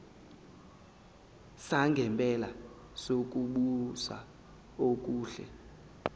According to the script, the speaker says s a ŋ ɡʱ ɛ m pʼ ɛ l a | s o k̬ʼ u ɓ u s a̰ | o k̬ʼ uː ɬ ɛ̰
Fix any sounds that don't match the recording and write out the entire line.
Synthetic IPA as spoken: s a ŋ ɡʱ ɛ m pʼ ɛ l a | s o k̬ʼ u ɓ u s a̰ | o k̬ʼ uː ɬ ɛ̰